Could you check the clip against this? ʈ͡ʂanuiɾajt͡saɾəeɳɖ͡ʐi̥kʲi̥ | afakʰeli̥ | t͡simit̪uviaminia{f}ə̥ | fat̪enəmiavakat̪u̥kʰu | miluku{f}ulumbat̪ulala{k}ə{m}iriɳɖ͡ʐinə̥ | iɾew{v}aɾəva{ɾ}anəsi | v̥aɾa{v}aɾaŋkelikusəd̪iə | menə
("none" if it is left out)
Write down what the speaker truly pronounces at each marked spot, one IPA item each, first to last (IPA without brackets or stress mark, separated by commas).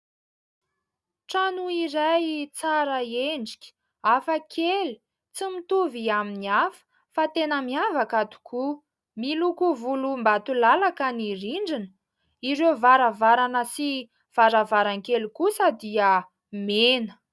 f, v, k, n, v, ɾ, v